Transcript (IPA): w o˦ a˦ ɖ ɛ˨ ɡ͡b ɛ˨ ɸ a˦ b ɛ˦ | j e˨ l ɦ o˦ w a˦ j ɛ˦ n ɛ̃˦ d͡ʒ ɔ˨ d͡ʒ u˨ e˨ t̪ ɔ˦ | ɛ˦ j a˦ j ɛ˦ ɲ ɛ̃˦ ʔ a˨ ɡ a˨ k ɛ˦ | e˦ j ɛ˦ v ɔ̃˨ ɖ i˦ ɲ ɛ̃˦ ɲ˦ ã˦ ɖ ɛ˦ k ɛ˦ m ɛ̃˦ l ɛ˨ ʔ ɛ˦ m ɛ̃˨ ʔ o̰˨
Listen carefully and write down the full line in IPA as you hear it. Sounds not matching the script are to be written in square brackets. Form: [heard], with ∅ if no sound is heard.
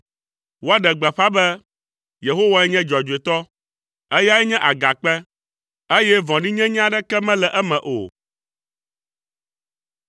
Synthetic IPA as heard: w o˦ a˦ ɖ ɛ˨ ɡ͡b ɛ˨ ɸ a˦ b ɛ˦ | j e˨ [∅] ɦ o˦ w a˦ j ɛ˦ [ɲ] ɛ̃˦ d͡ʒ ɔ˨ d͡ʒ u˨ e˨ t̪ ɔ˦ | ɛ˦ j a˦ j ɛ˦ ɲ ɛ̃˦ ʔ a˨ ɡ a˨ [k͡p] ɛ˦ | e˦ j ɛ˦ v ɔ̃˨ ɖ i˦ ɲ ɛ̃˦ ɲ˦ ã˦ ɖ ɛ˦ k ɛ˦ m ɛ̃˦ l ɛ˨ ʔ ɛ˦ m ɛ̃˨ ʔ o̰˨